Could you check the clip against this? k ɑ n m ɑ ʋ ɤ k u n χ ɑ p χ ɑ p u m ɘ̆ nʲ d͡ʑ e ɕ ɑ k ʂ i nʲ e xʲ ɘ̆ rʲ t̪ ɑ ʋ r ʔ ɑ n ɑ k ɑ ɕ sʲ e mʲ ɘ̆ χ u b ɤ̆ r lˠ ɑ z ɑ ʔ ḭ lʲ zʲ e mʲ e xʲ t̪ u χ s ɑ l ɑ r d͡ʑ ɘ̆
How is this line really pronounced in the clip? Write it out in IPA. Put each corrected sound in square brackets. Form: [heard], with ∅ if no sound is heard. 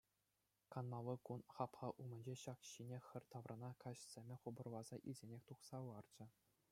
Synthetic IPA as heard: k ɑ n m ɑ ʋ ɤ k u n χ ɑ p χ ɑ [ʔ] u m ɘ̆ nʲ d͡ʑ e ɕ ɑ k [ɕ] i nʲ e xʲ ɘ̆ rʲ t̪ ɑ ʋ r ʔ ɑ n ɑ k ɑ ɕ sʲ e mʲ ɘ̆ χ u b ɤ̆ r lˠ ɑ z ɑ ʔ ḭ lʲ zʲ e [nʲ] e xʲ t̪ u χ s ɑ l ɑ r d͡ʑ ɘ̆

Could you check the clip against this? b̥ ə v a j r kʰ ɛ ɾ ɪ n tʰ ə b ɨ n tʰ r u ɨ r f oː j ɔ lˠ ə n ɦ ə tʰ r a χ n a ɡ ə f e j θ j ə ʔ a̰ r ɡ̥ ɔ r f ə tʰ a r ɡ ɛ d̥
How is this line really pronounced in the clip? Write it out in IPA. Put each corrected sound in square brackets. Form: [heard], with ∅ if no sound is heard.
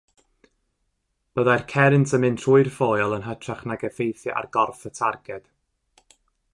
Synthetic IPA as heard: b̥ ə [ð] a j r kʰ ɛ ɾ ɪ n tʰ ə [m] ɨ n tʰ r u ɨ r f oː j ɔ lˠ ə n ɦ ə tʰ r a χ n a ɡ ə f e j θ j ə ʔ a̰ r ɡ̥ ɔ r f ə tʰ a r ɡ ɛ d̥

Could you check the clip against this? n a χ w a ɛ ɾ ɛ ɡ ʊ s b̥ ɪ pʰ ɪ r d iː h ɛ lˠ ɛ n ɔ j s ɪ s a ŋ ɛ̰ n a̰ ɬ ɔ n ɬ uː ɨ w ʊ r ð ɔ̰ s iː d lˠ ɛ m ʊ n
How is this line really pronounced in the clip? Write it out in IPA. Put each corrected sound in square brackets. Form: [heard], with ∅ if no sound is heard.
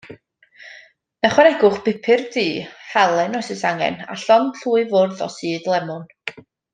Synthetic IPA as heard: n a χ w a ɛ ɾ ɛ ɡ ʊ [χ] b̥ ɪ pʰ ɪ r d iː h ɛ lˠ ɛ n ɔ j s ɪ s a ŋ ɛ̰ n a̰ ɬ ɔ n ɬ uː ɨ [v] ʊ r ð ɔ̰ s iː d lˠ ɛ m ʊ n

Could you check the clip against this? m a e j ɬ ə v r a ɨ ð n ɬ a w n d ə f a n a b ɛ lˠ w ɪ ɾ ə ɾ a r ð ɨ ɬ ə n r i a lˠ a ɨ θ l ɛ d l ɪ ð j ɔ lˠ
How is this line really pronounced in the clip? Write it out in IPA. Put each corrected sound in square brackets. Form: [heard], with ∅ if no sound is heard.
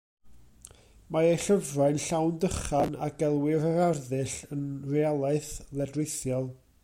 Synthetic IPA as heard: m a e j ɬ ə v r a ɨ [∅] n ɬ a w n d ə [χ] a n a [ɡ] ɛ lˠ w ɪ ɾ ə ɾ a r ð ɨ ɬ ə n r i a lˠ a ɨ θ l ɛ d [r] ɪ [θ] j ɔ lˠ

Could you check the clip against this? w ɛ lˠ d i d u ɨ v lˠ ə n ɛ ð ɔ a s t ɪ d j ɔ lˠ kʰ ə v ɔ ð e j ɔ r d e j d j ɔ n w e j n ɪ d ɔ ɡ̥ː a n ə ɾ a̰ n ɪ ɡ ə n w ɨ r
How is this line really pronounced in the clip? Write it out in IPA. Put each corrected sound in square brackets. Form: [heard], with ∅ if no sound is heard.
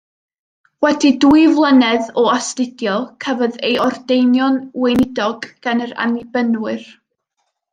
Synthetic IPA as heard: w ɛ [∅] d i d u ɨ v lˠ ə n ɛ ð ɔ a s t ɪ d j ɔ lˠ kʰ ə v ɔ ð e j ɔ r d e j [n] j ɔ n w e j n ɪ d ɔ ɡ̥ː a n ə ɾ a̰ n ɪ [b] ə n w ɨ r

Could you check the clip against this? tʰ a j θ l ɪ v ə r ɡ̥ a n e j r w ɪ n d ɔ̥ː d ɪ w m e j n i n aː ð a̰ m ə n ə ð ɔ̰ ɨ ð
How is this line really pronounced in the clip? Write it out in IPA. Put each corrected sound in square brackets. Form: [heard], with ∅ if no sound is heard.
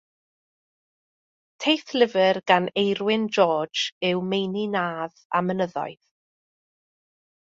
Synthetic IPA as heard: tʰ [e] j θ l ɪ v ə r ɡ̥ a n e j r w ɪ n [d͡ʒ] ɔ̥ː [d͡ʒ] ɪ w m e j n i n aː ð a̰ m ə n ə ð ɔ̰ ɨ ð

